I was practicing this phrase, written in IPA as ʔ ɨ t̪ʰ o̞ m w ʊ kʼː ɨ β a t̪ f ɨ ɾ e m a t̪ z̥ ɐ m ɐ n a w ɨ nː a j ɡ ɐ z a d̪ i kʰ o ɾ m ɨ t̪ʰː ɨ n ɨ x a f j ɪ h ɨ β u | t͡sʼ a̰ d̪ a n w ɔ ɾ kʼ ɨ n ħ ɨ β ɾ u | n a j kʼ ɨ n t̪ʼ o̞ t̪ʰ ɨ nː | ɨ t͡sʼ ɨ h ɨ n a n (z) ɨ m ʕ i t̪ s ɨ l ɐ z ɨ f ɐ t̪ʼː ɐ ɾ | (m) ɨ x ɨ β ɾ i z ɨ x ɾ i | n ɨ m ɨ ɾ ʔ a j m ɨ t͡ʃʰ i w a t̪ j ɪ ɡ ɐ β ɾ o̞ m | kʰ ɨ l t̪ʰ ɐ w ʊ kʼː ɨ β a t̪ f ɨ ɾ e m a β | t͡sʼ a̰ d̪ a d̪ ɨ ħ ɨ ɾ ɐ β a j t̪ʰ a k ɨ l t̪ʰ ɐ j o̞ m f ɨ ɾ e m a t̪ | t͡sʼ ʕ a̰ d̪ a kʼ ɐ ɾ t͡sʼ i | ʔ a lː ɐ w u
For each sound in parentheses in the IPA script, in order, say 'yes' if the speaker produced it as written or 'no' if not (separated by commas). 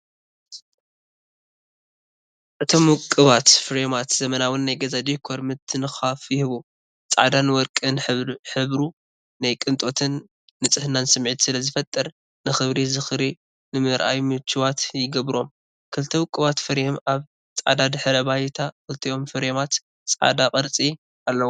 no, no